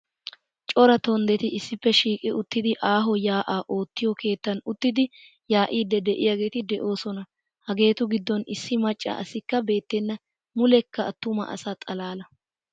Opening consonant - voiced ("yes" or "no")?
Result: no